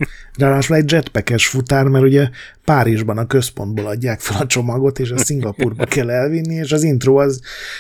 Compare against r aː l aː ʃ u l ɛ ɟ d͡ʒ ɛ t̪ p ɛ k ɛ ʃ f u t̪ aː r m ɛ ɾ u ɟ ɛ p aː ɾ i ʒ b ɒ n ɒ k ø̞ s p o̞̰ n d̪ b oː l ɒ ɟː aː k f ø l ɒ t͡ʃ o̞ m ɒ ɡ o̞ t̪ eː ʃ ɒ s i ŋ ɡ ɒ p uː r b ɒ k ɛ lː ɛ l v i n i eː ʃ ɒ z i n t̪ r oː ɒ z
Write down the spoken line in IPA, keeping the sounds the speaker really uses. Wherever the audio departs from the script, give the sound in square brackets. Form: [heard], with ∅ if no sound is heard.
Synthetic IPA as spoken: r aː l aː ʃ u l ɛ ɟ d͡ʒ ɛ t̪ p ɛ k ɛ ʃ f u t̪ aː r m ɛ ɾ u ɟ ɛ p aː ɾ i ʒ b ɒ n ɒ k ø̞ s p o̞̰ n d̪ b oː l ɒ ɟː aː k f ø l ɒ t͡ʃ o̞ m ɒ ɡ o̞ t̪ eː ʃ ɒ s i ŋ ɡ ɒ p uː r b ɒ k ɛ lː ɛ l v i [nː] i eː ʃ ɒ z i n t̪ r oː ɒ z